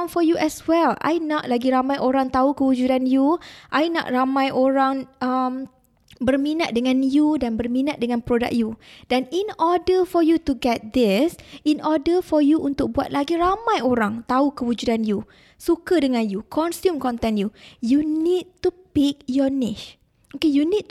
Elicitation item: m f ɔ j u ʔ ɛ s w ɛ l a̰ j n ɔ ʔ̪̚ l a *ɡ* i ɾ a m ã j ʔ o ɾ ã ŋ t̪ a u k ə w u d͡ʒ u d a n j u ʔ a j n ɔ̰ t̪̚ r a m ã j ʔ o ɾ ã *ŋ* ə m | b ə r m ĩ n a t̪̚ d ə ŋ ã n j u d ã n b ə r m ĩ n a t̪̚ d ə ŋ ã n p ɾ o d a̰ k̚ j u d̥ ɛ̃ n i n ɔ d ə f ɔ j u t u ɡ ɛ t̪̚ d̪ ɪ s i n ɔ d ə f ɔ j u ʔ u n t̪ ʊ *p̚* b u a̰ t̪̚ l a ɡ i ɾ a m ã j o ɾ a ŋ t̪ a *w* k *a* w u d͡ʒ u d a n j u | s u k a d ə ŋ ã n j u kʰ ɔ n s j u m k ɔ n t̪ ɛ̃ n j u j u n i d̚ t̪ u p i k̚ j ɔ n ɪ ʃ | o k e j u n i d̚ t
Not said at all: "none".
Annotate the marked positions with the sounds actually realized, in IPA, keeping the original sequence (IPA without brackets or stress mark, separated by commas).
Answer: ɡ, ŋ, k̚, u, ə